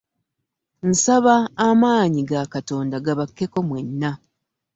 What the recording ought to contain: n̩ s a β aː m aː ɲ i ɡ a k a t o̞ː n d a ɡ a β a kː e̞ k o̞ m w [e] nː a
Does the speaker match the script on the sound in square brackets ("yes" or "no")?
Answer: yes